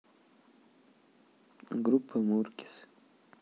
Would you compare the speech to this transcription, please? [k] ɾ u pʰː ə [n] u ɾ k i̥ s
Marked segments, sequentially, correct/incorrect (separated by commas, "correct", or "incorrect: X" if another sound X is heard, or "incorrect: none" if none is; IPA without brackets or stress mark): incorrect: ɡ, incorrect: m